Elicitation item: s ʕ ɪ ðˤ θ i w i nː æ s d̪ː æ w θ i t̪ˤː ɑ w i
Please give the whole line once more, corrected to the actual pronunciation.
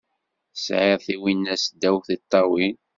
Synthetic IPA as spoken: s ʕ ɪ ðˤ θ i w i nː æ s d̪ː æ w θ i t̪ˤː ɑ w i